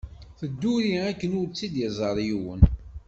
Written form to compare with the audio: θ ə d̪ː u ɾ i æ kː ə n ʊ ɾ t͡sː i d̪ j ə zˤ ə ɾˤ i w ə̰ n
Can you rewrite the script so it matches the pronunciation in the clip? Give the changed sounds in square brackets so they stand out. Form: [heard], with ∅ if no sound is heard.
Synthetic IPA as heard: θ ə d̪ː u ɾ i æ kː ə n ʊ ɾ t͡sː i d̪ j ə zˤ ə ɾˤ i w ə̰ n

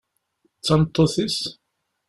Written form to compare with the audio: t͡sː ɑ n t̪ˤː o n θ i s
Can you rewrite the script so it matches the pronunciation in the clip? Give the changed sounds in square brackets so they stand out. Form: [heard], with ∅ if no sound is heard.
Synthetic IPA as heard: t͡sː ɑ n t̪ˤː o [∅] θ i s

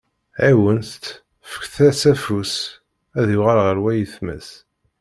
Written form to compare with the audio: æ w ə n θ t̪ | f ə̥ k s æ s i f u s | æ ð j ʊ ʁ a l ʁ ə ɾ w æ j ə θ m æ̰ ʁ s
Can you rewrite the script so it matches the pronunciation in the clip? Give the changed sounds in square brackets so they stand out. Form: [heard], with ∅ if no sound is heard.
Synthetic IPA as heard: æ w ə n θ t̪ | f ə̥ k [θ] æ s [æ] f u s | æ ð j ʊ ʁ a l ʁ ə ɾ w æ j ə θ m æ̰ [∅] s

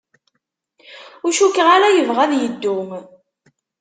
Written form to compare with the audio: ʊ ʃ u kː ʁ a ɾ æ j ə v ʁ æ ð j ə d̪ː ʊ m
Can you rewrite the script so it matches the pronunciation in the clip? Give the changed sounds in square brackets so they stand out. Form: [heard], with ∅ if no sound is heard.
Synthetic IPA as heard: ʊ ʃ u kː ʁ a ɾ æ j ə v ʁ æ ð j ə d̪ː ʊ m

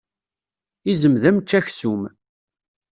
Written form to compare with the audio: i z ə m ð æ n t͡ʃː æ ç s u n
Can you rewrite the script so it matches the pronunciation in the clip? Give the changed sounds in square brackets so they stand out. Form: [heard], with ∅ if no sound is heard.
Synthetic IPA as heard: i z ə m ð æ [m] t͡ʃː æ ç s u [m]

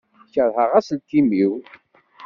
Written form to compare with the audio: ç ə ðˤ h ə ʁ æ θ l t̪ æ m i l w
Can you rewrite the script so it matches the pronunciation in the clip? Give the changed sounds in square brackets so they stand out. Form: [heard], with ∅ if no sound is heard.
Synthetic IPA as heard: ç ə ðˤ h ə ʁ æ [s] l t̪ [i] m i [∅] w

